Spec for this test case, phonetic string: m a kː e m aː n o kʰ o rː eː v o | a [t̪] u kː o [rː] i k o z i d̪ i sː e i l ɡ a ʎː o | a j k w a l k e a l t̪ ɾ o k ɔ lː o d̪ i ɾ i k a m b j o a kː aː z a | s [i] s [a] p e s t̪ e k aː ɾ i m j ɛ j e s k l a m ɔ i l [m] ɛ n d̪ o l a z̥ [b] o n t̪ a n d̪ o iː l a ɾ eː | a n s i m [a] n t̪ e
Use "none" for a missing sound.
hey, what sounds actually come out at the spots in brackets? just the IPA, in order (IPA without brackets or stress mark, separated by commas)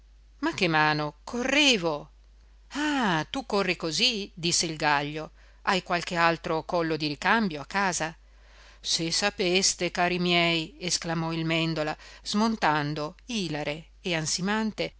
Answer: t̪, rː, e, a, m, m, a